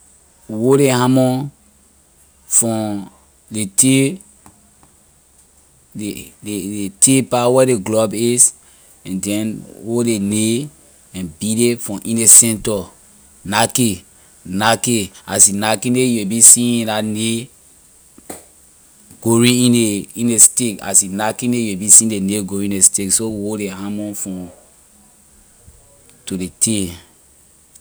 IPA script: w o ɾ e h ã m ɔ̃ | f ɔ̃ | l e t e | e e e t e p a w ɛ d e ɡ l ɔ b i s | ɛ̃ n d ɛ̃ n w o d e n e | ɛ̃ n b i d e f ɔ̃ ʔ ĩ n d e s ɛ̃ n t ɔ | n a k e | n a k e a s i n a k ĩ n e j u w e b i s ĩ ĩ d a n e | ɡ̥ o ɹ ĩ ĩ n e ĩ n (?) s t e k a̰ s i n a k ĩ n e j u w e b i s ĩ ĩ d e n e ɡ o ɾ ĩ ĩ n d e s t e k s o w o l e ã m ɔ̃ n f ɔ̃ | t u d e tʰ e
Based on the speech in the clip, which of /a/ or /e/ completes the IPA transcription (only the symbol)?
e